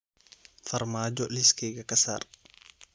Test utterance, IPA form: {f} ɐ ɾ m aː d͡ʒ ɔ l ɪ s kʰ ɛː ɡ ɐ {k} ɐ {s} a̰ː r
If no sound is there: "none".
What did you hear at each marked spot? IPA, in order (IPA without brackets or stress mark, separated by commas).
f, k, s